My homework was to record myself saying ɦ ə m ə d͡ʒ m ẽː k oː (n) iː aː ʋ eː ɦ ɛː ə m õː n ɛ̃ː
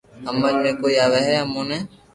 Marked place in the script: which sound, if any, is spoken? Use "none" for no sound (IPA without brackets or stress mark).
none